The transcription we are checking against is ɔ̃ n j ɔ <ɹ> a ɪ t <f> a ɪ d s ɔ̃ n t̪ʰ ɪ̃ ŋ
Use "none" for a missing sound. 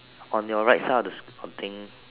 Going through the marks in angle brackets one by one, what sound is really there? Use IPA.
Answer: ɹ, s

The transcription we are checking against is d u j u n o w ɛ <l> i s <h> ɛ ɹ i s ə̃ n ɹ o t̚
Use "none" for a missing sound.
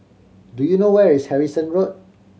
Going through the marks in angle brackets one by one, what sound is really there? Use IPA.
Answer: ɹ, h

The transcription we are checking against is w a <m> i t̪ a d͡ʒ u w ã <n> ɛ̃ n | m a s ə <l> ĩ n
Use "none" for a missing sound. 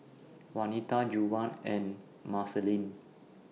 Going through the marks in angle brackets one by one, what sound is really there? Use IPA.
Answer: n, n, l

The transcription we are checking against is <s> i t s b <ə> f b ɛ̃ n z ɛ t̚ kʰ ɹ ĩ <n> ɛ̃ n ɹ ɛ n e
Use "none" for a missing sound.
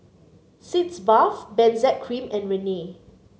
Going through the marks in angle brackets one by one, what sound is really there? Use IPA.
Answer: s, a, m

